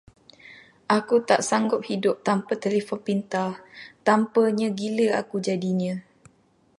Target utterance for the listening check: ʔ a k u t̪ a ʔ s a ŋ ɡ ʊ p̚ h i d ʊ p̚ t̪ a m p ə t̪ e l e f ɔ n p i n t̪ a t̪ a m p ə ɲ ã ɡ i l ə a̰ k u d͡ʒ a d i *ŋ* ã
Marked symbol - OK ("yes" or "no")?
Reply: no